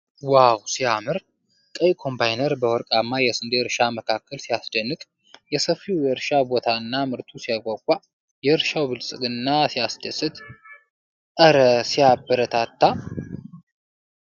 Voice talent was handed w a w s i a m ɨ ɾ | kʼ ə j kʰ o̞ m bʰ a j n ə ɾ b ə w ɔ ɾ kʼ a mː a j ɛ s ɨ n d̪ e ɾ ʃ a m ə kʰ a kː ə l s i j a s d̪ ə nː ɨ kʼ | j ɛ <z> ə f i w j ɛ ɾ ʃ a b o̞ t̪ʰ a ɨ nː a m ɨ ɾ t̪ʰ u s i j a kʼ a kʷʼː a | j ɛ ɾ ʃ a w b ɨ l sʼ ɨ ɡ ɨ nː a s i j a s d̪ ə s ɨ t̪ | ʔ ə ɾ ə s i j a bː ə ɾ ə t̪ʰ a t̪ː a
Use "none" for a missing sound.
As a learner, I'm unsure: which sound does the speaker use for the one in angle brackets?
s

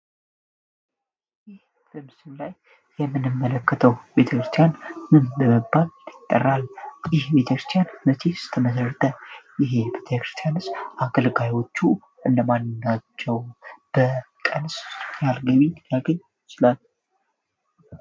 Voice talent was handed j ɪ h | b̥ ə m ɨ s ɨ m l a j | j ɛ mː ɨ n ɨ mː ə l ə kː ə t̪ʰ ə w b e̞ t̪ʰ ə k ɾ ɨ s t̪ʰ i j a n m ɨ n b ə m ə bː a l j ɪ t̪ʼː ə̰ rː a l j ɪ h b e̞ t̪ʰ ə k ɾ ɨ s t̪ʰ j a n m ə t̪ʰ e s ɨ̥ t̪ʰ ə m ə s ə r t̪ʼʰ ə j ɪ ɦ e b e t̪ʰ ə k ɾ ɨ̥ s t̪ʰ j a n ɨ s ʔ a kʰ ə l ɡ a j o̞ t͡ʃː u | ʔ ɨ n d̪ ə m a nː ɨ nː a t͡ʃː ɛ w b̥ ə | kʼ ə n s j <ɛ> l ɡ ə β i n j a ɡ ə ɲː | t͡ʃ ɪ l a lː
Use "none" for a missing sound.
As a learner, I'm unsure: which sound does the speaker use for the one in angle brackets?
a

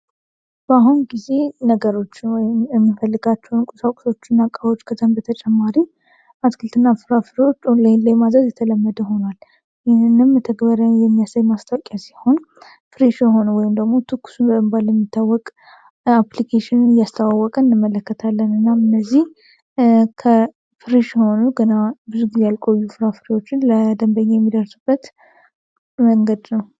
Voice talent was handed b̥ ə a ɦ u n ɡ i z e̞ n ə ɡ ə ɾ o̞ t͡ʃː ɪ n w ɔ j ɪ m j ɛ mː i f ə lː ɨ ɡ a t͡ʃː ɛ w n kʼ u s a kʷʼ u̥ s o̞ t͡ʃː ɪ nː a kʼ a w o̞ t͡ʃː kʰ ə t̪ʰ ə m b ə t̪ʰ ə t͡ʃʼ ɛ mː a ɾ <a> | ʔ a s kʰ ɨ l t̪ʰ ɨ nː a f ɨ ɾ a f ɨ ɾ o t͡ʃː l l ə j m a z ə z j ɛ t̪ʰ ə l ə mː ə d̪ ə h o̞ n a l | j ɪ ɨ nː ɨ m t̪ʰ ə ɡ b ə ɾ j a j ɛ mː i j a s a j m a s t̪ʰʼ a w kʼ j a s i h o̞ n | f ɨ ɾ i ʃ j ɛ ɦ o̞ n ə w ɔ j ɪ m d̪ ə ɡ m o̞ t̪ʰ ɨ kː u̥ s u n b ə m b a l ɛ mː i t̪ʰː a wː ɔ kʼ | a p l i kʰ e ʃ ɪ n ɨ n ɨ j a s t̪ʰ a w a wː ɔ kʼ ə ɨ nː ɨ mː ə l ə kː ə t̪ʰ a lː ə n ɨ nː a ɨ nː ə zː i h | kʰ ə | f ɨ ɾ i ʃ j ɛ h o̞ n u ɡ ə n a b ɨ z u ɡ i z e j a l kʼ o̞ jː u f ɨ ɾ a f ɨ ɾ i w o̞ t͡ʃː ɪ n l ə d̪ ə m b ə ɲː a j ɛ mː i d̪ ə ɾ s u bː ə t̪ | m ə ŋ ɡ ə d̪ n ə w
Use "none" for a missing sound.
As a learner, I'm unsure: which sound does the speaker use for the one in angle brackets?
i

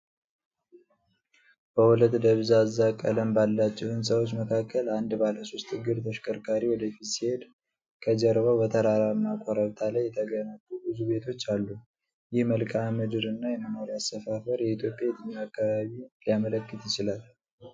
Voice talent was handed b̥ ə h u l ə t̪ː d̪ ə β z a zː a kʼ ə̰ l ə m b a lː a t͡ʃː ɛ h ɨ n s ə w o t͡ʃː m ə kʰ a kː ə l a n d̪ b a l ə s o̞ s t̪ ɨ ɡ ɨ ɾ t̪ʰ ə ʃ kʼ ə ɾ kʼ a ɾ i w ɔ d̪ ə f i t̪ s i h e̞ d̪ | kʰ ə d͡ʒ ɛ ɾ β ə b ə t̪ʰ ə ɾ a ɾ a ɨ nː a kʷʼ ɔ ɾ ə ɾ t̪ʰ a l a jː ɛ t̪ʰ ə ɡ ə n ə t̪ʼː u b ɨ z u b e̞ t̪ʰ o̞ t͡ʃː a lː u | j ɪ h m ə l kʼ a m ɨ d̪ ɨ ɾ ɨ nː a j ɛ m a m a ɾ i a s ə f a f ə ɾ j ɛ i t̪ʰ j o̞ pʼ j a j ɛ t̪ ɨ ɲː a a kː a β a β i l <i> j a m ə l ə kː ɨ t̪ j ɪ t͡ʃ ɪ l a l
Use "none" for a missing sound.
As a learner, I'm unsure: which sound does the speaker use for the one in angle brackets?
i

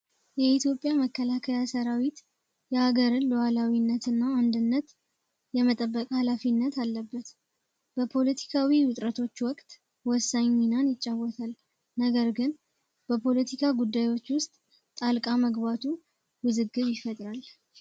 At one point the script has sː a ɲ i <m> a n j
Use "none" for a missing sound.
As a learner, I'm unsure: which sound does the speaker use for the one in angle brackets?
n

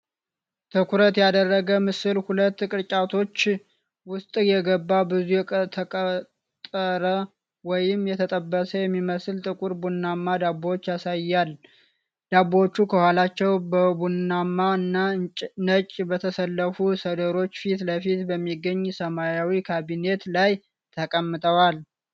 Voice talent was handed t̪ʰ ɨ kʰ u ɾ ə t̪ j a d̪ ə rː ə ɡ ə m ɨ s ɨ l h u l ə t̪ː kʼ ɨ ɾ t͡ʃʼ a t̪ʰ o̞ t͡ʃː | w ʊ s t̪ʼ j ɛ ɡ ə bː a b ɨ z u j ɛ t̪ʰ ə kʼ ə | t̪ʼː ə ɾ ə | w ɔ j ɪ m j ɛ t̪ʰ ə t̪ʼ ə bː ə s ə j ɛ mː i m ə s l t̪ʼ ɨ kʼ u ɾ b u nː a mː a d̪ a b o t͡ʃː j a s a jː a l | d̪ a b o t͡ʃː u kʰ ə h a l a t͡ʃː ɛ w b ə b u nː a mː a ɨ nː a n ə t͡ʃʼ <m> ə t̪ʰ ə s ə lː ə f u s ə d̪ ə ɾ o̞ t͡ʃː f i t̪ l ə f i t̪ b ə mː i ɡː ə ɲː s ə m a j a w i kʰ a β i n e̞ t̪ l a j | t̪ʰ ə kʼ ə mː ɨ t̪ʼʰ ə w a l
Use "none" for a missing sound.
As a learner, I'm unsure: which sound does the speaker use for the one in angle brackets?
b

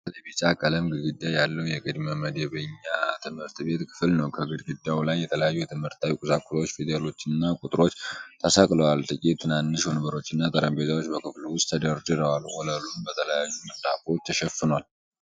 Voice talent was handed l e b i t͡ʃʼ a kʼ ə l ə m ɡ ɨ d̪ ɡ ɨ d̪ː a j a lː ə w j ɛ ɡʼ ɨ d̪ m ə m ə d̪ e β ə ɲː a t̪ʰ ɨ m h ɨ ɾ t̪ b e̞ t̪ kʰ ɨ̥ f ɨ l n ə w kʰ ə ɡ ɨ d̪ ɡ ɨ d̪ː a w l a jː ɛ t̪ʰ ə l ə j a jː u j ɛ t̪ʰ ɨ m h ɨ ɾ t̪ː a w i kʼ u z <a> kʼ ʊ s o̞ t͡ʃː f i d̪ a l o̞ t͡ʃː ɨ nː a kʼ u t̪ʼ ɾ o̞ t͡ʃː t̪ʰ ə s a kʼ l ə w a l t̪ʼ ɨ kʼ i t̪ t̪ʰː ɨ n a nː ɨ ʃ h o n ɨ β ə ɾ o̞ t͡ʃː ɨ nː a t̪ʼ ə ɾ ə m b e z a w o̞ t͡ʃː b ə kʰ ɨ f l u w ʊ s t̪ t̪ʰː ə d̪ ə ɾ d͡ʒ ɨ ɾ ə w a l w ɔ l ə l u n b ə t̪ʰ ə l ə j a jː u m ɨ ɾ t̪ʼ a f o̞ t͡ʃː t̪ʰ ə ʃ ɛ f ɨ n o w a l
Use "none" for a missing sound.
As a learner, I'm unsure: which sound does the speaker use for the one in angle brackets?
a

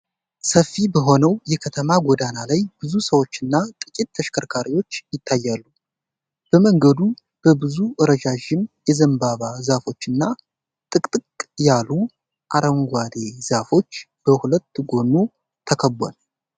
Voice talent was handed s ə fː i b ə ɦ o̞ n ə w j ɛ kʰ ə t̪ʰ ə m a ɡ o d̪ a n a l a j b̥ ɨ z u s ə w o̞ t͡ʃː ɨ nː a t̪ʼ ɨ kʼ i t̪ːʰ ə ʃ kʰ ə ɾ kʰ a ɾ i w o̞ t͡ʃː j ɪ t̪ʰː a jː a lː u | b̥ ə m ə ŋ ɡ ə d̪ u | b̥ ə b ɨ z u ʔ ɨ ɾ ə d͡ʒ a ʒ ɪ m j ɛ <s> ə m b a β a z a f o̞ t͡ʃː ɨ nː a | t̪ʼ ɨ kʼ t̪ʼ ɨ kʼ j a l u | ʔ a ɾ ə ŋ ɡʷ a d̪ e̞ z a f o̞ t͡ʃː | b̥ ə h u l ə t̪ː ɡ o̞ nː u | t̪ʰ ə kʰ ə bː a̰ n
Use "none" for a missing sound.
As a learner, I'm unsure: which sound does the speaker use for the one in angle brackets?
z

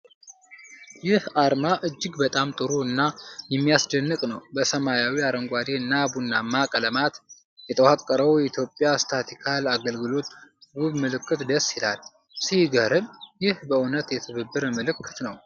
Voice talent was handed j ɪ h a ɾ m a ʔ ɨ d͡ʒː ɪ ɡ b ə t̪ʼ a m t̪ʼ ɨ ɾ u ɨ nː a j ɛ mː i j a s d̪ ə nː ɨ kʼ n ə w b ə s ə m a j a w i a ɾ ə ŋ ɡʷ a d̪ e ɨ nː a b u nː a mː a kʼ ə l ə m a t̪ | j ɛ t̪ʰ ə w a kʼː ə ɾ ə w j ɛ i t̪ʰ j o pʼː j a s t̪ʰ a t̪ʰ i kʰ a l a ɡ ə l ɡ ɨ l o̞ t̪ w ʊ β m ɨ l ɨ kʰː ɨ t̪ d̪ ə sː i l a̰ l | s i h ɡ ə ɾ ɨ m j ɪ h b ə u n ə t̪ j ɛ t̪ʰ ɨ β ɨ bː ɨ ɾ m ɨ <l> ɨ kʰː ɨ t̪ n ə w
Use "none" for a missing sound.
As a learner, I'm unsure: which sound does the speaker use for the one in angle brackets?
l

